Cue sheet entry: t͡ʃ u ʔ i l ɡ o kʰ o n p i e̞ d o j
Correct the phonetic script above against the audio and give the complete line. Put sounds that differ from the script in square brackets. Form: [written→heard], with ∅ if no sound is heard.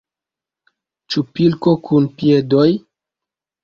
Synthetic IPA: t͡ʃ u [ʔ→p] i l [ɡ→k] o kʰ [o→u] n p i e̞ d o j